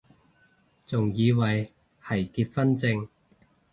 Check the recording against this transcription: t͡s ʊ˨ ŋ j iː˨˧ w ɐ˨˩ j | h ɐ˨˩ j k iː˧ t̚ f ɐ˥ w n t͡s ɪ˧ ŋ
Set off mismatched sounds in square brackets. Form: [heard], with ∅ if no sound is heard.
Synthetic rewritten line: t͡s ʊ˨ ŋ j iː˨˧ w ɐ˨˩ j | h ɐ˨˩ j k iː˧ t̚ f ɐ˥ [∅] n t͡s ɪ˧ ŋ

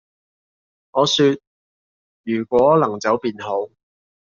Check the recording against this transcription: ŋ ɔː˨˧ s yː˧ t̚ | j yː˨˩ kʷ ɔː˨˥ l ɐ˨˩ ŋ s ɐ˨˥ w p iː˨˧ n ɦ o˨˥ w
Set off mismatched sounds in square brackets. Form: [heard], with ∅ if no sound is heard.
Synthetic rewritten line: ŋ ɔː˨˧ s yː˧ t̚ | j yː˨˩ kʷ ɔː˨˥ l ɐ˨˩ ŋ [t͡s] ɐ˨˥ w p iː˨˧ n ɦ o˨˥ w

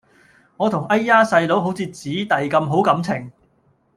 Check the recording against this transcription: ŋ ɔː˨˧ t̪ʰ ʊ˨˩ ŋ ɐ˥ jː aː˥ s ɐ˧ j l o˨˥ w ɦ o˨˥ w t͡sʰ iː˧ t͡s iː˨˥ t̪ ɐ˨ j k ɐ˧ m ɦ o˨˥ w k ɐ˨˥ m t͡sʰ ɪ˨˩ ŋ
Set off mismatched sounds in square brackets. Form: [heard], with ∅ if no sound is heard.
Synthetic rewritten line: ŋ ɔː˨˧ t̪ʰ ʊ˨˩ ŋ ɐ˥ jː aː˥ s ɐ˧ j l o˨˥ w ɦ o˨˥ w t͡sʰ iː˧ t͡s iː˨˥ t̪ ɐ˨ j k ɐ˧ m ɦ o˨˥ w k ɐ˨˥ m t͡sʰ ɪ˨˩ ŋ

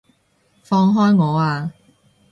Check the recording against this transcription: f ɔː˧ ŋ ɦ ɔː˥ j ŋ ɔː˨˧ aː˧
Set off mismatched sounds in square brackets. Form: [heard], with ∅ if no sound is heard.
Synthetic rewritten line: f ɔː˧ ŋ ɦ ɔː˥ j ŋ ɔː˨˧ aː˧

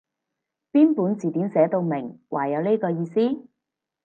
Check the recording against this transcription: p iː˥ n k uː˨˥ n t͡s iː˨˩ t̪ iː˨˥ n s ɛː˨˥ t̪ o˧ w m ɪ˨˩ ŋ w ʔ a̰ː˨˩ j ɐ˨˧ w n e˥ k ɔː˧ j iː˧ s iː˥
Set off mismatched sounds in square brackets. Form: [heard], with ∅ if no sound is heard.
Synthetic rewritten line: p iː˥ n [p] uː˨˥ n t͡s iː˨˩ t̪ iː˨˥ n s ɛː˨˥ t̪ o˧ w m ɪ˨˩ ŋ w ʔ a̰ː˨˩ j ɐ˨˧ w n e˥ k ɔː˧ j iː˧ s iː˥

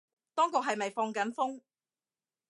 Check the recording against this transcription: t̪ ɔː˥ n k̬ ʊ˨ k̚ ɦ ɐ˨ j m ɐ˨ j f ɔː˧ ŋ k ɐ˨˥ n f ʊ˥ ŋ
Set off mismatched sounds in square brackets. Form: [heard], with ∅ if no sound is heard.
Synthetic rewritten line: t̪ ɔː˥ [ŋ] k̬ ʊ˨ k̚ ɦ ɐ˨ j m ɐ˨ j f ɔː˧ ŋ k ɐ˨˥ n f ʊ˥ ŋ

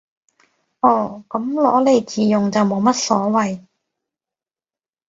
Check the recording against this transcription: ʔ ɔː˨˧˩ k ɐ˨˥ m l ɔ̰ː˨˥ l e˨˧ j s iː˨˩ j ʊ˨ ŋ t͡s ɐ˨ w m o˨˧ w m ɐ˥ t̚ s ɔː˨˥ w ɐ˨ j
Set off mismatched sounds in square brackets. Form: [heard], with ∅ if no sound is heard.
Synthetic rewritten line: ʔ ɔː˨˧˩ k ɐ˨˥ m l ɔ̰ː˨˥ l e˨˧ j [t͡s] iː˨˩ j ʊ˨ ŋ t͡s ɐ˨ w m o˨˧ w m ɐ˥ t̚ s ɔː˨˥ w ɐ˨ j

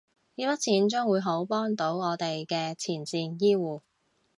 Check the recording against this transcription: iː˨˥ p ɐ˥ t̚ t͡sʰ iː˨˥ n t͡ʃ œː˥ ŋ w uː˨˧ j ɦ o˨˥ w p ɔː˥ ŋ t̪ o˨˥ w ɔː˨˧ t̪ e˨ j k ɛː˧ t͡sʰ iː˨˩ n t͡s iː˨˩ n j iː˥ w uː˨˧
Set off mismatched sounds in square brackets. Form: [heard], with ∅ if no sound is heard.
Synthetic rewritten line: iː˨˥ p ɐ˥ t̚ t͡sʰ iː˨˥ n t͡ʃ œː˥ ŋ w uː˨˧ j ɦ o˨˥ w p ɔː˥ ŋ t̪ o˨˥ w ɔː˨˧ t̪ e˨ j k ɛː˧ t͡sʰ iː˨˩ n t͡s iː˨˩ n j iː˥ w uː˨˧

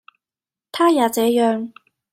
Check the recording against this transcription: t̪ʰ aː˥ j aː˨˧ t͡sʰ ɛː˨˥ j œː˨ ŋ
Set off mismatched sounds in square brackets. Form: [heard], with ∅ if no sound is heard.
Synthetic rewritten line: t̪ʰ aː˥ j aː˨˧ [t͡s] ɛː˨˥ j œː˨ ŋ

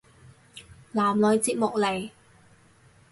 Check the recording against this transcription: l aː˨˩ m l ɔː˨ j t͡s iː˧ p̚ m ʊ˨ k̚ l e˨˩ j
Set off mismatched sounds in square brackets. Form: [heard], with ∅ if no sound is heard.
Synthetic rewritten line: l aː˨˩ m l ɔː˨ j t͡s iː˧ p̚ m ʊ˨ k̚ l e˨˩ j

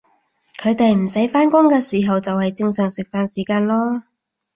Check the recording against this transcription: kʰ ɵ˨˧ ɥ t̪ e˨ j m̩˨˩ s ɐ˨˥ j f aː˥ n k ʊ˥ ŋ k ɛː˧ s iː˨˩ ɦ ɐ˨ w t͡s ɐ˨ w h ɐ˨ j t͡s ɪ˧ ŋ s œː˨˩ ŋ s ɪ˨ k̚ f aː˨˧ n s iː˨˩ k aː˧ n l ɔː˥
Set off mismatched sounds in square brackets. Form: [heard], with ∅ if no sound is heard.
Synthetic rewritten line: kʰ ɵ˨˧ ɥ t̪ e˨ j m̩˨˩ s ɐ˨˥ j f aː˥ n k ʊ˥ ŋ k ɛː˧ s iː˨˩ ɦ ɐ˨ w t͡s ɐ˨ w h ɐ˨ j t͡s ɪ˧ ŋ s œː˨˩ ŋ s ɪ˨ k̚ f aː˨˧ n s iː˨˩ k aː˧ n l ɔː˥

